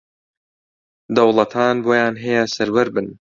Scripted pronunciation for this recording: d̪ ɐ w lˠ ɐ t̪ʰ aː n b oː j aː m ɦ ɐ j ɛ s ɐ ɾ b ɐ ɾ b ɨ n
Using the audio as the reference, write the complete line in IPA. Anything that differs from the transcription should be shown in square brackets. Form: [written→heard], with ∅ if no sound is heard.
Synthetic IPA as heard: d̪ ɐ w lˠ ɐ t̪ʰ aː n b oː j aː [m→n] ɦ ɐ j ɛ s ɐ ɾ [b→w] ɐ ɾ b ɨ n